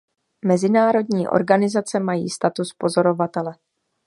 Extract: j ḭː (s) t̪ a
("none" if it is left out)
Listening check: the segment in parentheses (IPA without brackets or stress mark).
s